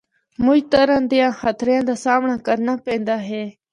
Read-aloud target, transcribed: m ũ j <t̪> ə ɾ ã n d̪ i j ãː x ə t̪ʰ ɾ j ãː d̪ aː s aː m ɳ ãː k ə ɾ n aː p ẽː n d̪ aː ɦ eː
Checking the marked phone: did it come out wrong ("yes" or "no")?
no